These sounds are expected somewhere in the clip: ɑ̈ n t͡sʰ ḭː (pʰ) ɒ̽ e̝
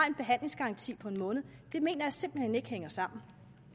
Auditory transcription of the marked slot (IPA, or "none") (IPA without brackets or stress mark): pʰ